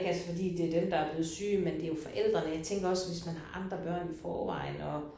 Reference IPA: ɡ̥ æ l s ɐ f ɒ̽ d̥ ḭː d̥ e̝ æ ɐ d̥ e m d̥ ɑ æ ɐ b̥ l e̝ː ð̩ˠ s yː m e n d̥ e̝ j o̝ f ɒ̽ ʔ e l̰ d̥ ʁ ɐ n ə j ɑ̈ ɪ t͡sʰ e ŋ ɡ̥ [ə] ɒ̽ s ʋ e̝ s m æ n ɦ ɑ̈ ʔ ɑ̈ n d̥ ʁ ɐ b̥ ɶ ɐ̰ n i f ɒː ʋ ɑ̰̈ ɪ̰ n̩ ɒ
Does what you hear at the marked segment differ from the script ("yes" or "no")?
yes